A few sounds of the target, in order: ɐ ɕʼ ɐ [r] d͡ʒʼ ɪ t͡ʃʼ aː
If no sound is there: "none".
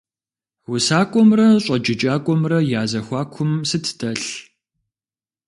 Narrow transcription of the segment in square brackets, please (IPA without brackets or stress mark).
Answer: none